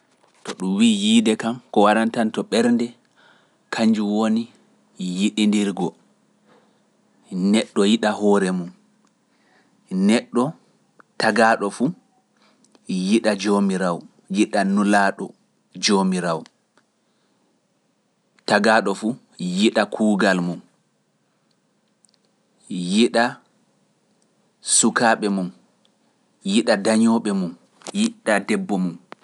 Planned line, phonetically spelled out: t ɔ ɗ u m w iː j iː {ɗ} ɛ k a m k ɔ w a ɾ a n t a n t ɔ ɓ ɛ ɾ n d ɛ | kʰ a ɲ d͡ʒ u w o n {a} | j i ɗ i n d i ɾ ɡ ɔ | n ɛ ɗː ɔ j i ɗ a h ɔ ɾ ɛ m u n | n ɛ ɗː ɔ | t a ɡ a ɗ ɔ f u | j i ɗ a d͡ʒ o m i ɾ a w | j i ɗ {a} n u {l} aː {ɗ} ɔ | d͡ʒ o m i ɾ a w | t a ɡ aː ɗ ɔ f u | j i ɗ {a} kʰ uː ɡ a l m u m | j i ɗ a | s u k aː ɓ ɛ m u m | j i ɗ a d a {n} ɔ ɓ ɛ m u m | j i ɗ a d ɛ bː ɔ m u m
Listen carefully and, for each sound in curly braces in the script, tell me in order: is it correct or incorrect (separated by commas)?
incorrect, incorrect, correct, correct, correct, correct, incorrect